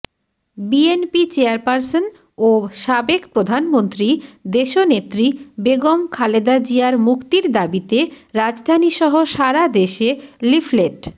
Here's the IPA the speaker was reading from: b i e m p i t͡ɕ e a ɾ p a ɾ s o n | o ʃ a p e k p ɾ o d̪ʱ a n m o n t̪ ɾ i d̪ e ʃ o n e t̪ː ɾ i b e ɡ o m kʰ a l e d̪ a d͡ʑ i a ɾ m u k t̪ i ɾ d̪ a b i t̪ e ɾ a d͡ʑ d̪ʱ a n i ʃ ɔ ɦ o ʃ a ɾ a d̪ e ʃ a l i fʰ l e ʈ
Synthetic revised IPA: b i e n p i t͡ɕ e a ɾ p a ɾ s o n | o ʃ a b e k p ɾ o d̪ʱ a n m o n t̪ ɾ i d̪ e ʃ o n e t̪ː ɾ i b e ɡ o m kʰ a l e d̪ a d͡ʑ i a ɾ m u k t̪ i ɾ d̪ a b i t̪ e ɾ a d͡ʑ d̪ʱ a n i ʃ ɔ ɦ o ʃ a ɾ a d̪ e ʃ e l i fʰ l e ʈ